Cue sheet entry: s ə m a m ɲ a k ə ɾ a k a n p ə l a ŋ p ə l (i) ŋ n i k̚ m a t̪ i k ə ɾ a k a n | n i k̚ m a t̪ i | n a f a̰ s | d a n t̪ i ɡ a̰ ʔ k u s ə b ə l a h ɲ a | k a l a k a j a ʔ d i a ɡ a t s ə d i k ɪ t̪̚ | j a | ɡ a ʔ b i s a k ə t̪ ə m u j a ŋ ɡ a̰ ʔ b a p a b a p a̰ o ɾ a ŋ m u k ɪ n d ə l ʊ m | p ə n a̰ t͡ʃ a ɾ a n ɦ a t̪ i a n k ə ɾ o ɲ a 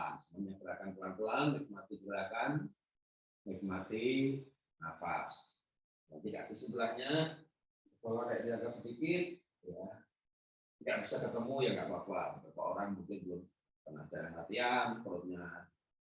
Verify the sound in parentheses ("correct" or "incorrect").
incorrect